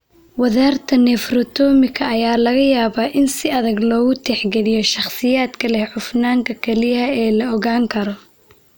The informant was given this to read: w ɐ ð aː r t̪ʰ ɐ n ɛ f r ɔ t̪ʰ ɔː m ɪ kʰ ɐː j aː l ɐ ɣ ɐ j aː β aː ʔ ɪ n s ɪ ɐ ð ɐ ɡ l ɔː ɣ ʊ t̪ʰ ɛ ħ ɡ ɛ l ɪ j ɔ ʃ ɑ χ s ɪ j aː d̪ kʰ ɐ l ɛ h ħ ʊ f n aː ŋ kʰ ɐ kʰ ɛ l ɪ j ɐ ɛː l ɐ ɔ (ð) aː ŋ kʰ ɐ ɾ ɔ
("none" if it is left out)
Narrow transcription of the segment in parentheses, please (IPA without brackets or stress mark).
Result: ɣ